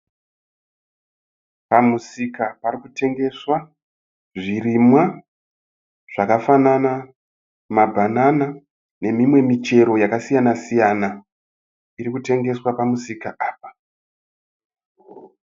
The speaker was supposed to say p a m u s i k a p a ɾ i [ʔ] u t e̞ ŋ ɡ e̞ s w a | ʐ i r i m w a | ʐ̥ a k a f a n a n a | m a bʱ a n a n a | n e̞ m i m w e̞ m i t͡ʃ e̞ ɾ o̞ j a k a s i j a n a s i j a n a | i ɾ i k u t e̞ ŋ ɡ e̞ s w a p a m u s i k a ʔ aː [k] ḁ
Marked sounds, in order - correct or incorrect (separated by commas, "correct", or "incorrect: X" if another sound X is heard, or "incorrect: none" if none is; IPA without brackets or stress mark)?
incorrect: k, incorrect: p